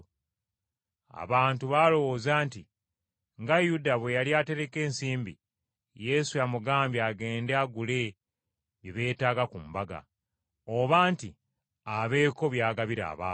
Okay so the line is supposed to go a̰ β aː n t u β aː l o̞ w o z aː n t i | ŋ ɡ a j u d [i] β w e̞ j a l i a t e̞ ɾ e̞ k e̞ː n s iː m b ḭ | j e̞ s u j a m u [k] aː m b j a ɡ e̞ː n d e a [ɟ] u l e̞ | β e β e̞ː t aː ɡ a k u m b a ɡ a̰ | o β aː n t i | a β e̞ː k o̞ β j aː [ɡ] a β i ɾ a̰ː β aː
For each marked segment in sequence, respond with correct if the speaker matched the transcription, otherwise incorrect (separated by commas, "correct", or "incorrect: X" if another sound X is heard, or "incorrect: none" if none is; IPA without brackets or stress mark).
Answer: incorrect: a, incorrect: ɡ, incorrect: ɡ, correct